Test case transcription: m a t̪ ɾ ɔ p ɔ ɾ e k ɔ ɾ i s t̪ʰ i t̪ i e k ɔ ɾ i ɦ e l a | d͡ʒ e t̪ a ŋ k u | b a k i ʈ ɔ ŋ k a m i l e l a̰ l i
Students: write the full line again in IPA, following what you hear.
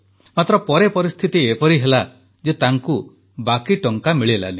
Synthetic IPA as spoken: m a t̪ ɾ ɔ p ɔ ɾ e p ɔ ɾ i s t̪ʰ i t̪ i e p ɔ ɾ i ɦ e l a | d͡ʒ e t̪ a ŋ k u | b a k i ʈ ɔ ŋ k a m i ɭ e l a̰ l i